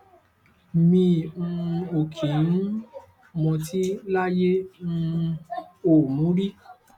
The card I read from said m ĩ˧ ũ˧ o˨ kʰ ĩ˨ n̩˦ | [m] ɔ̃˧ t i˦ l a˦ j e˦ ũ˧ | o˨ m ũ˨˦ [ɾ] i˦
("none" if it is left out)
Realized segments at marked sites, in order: m, ɾ

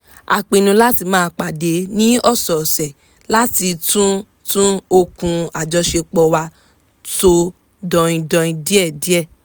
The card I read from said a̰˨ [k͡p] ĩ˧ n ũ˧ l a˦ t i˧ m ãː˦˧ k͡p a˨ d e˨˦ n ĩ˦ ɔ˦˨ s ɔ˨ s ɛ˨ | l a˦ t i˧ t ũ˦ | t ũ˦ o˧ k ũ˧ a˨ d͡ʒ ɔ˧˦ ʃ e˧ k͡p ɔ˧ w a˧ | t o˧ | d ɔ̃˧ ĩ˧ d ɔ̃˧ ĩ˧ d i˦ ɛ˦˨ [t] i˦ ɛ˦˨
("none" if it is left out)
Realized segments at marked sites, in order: k͡p, d

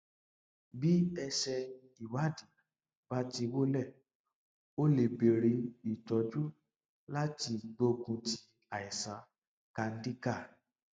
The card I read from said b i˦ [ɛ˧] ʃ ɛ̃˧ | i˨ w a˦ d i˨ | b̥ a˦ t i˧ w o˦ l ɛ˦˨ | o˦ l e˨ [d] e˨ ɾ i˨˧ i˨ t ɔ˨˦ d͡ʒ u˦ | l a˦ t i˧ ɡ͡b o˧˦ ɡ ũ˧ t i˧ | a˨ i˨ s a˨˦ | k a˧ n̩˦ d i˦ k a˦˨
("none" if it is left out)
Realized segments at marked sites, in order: ɛ˧, b

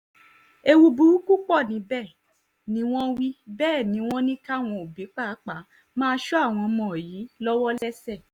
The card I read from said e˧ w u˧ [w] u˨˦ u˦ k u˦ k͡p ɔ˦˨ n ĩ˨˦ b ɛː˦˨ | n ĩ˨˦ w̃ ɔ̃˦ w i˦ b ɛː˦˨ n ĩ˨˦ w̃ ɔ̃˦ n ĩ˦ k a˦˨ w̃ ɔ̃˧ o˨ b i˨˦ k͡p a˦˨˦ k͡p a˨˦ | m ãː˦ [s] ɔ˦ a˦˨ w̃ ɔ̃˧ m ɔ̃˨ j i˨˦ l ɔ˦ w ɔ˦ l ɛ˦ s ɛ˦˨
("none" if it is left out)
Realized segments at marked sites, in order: b, ʃ

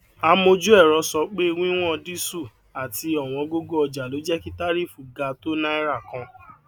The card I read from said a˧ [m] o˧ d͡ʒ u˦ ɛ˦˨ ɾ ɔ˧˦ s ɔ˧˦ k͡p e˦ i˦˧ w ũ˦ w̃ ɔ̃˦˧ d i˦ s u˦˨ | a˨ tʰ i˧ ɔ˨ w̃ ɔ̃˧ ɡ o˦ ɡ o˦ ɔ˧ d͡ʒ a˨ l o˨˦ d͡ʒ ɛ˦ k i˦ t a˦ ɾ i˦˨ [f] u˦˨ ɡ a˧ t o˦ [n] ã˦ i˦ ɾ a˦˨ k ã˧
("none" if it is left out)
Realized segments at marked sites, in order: m, f, n

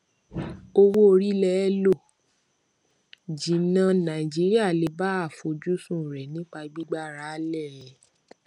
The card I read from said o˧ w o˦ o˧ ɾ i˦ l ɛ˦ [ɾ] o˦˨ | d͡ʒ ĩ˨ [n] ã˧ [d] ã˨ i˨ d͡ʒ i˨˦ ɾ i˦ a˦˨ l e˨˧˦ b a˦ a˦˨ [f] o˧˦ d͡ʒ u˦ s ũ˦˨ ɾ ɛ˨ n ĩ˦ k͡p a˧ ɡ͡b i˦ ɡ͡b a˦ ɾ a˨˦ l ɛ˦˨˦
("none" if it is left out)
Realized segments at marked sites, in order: l, n, n, f

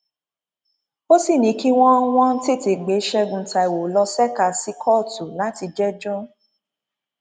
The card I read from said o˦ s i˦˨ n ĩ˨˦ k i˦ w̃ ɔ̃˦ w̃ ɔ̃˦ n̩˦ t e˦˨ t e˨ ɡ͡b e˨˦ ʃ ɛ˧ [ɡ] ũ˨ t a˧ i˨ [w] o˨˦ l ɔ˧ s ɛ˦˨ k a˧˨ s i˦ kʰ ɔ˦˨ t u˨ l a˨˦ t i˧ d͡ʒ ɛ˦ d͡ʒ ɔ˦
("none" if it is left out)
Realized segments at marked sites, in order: ɡ, w

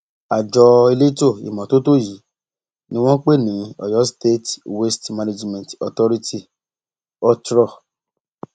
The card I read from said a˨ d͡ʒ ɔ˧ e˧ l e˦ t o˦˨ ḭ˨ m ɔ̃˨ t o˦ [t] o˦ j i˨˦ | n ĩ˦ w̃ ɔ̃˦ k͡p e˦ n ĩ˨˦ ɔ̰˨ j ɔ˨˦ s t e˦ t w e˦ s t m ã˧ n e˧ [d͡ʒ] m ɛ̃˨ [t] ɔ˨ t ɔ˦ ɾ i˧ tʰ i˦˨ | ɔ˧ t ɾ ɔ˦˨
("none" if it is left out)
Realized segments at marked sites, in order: t, d͡ʒ, t

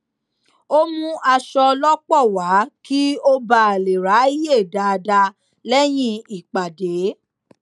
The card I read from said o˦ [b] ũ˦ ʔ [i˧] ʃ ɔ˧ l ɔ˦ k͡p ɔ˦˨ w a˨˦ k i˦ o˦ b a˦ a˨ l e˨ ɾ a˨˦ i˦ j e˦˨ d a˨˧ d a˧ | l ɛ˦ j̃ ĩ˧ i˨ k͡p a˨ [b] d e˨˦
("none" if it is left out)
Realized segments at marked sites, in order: m, a˧, none

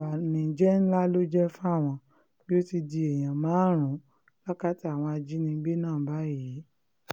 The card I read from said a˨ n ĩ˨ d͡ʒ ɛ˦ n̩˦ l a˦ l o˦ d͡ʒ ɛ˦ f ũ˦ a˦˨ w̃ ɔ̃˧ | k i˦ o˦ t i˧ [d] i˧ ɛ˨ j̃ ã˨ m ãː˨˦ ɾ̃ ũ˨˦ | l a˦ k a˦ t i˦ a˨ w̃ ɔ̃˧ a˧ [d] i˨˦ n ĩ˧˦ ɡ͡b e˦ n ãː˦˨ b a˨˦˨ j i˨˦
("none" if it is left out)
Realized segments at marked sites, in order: d, d͡ʒ

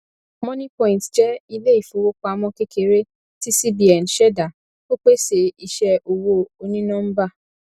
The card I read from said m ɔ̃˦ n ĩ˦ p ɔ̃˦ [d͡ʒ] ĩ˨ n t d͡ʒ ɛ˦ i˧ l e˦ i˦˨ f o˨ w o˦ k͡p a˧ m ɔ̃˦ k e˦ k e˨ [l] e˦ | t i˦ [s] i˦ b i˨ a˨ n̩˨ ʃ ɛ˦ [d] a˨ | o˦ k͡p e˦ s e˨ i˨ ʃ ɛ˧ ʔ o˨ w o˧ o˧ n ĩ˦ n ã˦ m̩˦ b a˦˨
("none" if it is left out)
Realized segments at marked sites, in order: none, ɾ, s, d

